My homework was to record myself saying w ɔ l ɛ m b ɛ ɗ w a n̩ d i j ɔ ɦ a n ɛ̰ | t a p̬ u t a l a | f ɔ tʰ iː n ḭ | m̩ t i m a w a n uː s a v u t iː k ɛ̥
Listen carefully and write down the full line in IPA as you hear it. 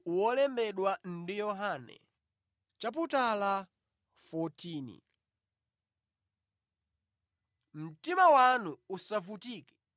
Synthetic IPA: w ɔ l ɛ m b ɛ ɗ w a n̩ d i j ɔ ɦ a n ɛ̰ | t͡ʃ a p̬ u t a l a | f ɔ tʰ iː n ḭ | m̩ t i m a w a n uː s a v u t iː k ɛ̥